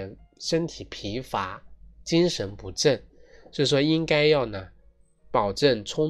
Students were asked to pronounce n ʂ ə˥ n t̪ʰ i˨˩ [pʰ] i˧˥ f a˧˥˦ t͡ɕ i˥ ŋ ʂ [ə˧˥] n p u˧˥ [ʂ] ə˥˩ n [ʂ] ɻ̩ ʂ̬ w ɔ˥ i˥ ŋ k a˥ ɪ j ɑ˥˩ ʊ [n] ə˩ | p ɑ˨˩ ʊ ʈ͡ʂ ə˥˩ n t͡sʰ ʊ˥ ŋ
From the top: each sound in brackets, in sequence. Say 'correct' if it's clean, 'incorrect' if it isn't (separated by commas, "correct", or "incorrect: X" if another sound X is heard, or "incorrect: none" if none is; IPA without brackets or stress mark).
correct, correct, incorrect: ʈ͡ʂ, correct, correct